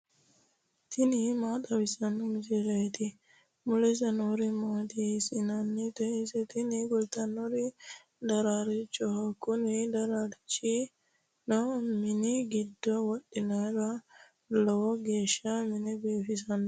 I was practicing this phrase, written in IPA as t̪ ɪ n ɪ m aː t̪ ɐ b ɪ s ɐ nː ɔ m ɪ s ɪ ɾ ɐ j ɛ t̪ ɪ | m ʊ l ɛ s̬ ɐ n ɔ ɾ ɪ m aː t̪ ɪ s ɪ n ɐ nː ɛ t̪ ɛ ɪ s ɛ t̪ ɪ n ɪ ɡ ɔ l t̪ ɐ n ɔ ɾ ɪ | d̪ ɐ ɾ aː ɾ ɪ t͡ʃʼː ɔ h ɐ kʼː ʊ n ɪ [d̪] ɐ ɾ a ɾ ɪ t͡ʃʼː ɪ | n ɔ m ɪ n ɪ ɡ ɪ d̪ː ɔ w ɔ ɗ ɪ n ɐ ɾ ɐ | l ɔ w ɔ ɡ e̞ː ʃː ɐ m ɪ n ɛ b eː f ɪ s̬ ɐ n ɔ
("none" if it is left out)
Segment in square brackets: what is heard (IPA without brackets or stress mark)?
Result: d̪